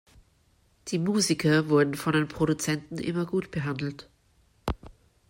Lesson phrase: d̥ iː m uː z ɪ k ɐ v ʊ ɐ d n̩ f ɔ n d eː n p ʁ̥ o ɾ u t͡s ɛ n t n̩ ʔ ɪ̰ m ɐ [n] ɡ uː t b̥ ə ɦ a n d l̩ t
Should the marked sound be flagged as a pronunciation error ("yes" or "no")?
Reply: yes